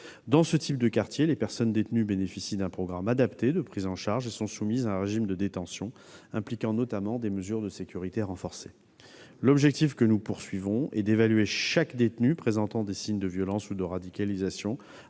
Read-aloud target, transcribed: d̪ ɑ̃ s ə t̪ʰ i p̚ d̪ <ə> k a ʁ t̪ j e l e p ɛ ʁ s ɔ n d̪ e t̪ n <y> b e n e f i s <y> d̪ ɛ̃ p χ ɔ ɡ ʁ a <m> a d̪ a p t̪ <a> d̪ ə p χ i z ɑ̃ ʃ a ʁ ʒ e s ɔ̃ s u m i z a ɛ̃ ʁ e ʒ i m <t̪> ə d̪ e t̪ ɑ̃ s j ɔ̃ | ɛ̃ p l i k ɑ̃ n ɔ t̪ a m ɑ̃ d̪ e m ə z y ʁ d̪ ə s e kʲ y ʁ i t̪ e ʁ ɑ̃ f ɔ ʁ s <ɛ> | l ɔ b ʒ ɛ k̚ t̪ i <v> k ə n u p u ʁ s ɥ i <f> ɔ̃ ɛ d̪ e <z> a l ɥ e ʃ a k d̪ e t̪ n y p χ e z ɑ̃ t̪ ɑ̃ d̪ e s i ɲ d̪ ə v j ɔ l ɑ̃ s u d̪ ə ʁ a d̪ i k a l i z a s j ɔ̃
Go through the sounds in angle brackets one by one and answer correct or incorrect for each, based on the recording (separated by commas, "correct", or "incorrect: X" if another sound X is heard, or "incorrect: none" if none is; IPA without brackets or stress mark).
correct, correct, incorrect: i, correct, incorrect: e, incorrect: d̪, incorrect: e, incorrect: f, incorrect: v, incorrect: v